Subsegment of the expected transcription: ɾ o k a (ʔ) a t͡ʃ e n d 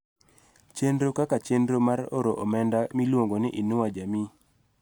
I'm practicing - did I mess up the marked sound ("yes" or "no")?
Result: yes